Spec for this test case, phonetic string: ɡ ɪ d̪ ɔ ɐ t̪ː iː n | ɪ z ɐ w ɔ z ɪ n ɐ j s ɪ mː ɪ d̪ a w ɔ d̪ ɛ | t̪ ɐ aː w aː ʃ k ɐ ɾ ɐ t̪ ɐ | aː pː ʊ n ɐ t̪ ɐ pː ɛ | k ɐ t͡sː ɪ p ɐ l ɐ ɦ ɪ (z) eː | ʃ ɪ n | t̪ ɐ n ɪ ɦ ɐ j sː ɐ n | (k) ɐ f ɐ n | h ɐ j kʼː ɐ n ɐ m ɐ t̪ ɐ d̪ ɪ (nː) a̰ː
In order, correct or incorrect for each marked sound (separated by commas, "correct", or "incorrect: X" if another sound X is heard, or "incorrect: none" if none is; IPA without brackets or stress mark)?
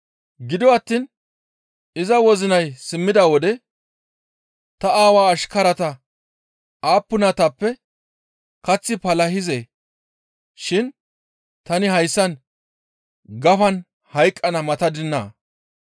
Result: correct, incorrect: ɡ, correct